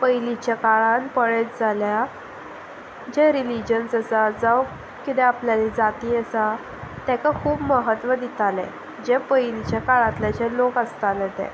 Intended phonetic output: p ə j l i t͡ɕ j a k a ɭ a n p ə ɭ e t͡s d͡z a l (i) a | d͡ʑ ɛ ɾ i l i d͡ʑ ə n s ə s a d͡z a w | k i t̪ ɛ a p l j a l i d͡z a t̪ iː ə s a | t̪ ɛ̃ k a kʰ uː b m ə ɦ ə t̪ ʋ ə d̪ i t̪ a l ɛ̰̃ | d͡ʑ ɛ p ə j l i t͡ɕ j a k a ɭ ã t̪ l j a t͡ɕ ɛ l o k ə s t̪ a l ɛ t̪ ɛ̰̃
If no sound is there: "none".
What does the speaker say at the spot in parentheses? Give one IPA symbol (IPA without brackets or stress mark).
j